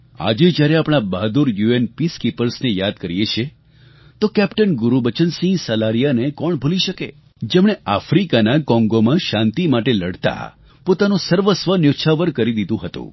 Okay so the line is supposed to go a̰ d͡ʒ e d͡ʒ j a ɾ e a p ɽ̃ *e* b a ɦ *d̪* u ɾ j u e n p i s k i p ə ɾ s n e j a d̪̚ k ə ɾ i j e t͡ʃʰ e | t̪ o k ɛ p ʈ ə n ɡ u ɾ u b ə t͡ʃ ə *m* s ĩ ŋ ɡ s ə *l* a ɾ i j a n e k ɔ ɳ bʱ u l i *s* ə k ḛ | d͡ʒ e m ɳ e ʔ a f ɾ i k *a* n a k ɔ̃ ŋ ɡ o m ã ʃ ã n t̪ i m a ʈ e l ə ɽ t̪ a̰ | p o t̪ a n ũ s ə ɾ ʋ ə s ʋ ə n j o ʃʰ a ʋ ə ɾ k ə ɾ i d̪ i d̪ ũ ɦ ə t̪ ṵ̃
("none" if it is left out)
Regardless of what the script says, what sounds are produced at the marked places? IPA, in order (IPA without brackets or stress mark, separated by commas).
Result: a, d̪, n, l, ʃ, a